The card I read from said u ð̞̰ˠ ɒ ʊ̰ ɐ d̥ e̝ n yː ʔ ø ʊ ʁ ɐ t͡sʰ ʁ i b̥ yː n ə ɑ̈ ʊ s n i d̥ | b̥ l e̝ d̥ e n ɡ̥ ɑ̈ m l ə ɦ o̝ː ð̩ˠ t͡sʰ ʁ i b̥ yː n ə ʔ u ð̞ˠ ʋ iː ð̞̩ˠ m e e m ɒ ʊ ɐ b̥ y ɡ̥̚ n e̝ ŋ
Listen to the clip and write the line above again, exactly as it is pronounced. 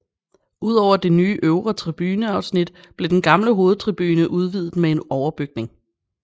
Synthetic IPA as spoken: u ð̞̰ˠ ɒ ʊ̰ ɐ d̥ e̝ n yː ʔ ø ʊ ʁ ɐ t͡sʰ ʁ i b̥ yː n ə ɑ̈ ʊ s n i d̥ | b̥ l e̝ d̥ e n ɡ̥ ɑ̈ m l ə ɦ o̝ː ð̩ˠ t͡sʰ ʁ i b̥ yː n ə ʔ u ð̞ˠ ʋ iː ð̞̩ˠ m e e n ɒ ʊ ɐ b̥ y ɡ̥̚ n e̝ ŋ